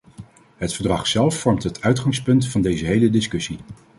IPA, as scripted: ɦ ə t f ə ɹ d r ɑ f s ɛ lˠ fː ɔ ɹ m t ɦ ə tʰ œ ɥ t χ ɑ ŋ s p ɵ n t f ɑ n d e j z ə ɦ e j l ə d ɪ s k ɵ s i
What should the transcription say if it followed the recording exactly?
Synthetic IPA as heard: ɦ ə t f ə ɹ d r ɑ χ s ɛ lˠ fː ɔ ɹ m t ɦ ə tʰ œ ɥ t χ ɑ ŋ s p ɵ n t f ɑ n d e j z ə ɦ e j l ə d ɪ s k ɵ s i